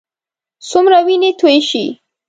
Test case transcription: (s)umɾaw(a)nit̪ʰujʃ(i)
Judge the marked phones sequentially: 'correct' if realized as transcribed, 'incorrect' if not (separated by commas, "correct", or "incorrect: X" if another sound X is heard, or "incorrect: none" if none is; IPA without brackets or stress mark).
correct, incorrect: i, correct